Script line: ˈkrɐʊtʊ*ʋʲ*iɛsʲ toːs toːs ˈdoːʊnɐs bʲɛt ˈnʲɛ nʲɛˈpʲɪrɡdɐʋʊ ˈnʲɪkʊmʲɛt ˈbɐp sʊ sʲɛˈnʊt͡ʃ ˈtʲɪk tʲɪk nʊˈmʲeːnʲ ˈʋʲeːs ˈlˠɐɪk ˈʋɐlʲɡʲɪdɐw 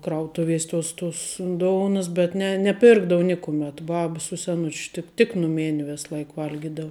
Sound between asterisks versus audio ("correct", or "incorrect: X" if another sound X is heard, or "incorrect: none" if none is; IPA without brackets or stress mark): correct